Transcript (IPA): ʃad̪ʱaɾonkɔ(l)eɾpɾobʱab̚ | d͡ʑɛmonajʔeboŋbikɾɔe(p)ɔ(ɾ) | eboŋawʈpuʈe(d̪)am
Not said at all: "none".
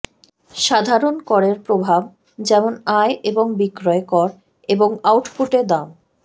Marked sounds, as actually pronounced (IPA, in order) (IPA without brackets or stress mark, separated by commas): ɾ, k, ɾ, d̪